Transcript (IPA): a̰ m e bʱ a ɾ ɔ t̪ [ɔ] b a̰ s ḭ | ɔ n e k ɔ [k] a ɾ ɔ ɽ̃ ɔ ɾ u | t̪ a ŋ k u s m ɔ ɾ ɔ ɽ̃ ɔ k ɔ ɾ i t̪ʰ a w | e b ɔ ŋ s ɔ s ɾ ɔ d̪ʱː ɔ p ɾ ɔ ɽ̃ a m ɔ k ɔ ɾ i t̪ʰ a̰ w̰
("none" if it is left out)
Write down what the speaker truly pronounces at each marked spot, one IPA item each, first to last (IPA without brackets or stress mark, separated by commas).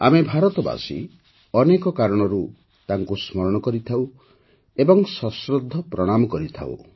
ɔ, k